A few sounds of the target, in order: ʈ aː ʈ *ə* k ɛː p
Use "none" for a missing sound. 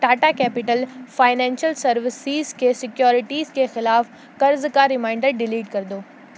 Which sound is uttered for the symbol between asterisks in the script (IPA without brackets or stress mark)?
a